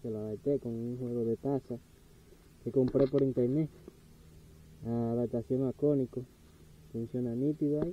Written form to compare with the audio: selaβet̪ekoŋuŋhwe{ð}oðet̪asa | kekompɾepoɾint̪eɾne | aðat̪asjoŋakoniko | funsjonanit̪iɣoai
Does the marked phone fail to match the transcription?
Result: yes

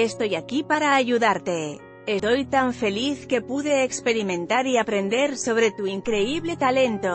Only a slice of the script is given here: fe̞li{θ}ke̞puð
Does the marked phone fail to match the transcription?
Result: no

